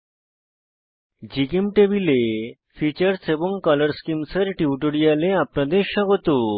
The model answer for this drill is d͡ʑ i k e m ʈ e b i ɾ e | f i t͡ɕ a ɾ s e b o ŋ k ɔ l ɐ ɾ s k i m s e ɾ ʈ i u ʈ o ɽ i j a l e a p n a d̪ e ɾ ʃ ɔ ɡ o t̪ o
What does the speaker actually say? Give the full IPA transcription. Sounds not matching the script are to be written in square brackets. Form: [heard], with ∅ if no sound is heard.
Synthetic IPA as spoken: d͡ʑ i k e m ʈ e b i [l] e | f i t͡ɕ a ɾ s e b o ŋ k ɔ l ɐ ɾ s k i m s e ɾ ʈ i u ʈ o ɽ i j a l e a p n a d̪ e ɾ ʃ ɔ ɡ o t̪ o